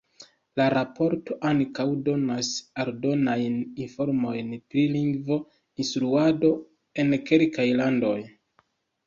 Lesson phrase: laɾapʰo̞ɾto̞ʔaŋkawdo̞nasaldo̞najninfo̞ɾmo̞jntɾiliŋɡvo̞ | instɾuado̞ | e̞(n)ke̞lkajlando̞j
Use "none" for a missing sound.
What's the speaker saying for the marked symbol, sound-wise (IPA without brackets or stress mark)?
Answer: n